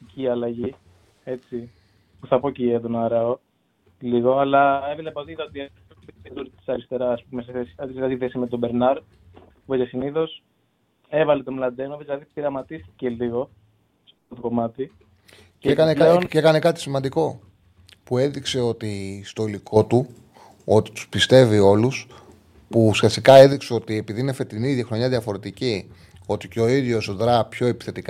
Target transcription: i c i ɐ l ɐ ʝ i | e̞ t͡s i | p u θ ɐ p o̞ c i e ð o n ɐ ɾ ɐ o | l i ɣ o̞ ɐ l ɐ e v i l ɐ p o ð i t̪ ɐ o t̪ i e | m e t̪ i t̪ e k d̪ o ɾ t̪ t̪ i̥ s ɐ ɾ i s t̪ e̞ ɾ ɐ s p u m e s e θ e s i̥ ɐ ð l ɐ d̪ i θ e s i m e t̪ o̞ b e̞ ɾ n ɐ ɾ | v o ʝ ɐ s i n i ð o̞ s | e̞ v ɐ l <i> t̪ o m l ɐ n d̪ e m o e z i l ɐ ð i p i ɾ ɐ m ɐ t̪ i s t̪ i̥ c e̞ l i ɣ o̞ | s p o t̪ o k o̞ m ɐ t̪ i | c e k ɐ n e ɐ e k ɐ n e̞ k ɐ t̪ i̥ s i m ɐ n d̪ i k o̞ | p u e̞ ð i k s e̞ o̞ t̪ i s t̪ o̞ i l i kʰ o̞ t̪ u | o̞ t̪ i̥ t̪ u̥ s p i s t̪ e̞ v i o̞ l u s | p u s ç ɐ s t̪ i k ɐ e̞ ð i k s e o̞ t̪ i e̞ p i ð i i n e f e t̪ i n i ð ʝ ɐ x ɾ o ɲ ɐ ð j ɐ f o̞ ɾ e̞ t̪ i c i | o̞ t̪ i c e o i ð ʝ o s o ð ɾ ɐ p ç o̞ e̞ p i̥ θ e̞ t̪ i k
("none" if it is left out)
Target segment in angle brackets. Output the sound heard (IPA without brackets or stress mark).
e